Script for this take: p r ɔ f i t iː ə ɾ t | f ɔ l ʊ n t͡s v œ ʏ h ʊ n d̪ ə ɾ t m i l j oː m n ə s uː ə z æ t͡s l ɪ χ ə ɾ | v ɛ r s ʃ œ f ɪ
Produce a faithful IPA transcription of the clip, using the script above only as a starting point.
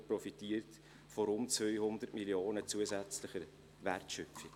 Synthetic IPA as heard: p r ɔ f i t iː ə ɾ t | f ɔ ɾ ʊ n t͡s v œ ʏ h ʊ n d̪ ə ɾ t m i l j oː n ə t͡s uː ə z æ t͡s l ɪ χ ə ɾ | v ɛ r t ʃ œ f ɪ

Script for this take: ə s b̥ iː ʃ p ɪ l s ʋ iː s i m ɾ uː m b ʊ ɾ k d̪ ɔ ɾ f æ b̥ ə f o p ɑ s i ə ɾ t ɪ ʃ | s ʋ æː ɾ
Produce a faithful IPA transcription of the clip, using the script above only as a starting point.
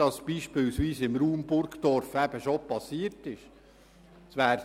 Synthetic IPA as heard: ɑ s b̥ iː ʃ p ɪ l s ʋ iː s ɪ m ɾ uː m b ʊ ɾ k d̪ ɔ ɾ f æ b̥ ə ʃ o p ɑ s i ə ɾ t ɪ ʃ | s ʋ æː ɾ

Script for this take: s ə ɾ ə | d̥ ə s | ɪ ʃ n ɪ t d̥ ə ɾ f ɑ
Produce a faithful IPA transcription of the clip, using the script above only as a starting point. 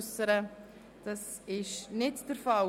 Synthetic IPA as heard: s ə ɾ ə | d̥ ɑ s | ɪ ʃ n ɪ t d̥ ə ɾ f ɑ

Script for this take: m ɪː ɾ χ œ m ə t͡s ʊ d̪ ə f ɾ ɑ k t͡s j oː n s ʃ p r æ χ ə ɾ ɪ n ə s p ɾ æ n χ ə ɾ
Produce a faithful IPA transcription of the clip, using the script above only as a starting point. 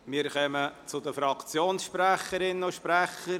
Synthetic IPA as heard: m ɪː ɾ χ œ m ə t͡s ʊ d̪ ə f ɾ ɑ k t͡s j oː n s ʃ p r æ χ ə ɾ ɪ n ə ʃ p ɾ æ χ ə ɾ

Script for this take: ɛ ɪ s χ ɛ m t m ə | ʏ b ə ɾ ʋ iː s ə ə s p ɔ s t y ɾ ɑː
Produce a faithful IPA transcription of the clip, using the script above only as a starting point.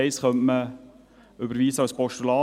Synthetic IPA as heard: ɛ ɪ s χ œ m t m ə | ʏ b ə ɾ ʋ iː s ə ɑ s p ɔ ʃ t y l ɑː

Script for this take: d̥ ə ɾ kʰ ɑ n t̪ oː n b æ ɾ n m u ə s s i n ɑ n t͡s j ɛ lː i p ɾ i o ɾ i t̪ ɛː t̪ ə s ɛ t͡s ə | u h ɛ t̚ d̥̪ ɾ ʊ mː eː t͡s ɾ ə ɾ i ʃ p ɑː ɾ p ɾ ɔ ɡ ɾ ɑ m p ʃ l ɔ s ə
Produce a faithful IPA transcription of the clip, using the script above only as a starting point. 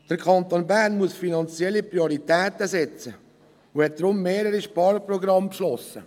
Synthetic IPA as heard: d̥ ə ɾ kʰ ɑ n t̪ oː n b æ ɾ n m u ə s f i n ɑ n t͡s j ɛ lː i p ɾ i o ɾ i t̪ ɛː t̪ ə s ɛ t͡s ə | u h ɛ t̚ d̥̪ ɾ ʊ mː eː ɾ ə ɾ i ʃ p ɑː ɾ p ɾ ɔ ɡ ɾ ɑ m p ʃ l ɔ s ə

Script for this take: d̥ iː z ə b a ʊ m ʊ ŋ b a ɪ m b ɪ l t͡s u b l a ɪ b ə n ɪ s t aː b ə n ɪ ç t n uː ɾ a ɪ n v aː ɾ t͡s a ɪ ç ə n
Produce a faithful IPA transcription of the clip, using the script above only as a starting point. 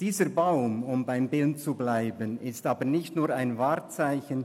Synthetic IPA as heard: d̥ iː z ə b a ʊ m ʊ m b a ɪ m b ɪ l t͡s u b l a ɪ b ə n ɪ s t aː b ə n ɪ ç t n uː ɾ a ɪ n v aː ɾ t͡s a ɪ ç ə n

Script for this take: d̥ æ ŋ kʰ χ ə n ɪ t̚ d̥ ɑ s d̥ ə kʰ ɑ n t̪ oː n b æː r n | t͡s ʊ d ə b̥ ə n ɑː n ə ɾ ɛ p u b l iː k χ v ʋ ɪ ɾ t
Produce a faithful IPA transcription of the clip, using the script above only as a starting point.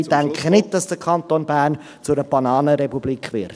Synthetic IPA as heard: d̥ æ ŋ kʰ χ ə n ɪ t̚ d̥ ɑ s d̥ ə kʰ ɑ n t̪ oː n b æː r n | t͡s ʊ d ə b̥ ɑ n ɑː n ə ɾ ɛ p u b l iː k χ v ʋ ɪ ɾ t

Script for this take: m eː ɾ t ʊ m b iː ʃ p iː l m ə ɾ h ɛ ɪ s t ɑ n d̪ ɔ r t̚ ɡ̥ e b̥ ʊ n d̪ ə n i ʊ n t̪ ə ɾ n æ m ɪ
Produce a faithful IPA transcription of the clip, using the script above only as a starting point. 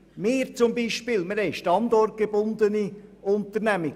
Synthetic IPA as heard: m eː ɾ t͡s ʊ m b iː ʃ p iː l m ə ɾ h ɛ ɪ ʃ t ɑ n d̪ ɔ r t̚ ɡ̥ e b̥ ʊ n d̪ ə n i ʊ n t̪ ə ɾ n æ m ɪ

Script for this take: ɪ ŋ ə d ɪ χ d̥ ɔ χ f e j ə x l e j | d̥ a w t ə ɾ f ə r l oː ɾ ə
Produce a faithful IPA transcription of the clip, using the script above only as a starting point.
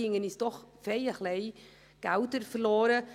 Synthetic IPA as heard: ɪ ŋ ə n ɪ s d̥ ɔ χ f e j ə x l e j | ɡ̥ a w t ə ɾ f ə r l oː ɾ ə

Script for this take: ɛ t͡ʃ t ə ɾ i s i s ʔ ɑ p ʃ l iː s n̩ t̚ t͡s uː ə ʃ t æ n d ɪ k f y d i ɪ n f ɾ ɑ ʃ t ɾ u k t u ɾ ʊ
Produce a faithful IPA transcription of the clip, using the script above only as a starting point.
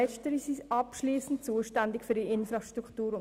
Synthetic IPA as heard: ɛ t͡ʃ t ə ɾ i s i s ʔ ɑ p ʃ l iː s n̩ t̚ t͡s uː ə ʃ t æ n d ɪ k f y d i ɪ n f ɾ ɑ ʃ t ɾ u k t uː ɾ ʊ

